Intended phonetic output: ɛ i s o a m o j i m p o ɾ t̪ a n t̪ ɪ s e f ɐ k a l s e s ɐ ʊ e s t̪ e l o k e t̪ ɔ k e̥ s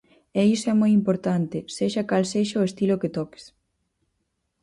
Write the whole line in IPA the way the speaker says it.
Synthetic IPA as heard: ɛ i s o ɛ m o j i m p o ɾ t̪ a n t̪ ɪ s e ʃ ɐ k a l s e ʃ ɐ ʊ e s t̪ i l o k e t̪ ɔ k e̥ s